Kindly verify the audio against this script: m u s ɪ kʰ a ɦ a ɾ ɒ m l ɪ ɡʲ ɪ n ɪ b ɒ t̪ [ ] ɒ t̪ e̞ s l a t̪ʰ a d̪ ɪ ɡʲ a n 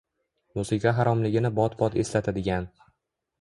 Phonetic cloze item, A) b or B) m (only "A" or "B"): A